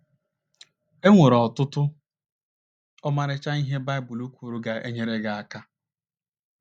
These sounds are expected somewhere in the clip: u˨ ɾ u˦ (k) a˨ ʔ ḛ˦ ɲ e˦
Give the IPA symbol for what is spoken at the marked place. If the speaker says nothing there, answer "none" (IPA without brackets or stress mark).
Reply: ɡ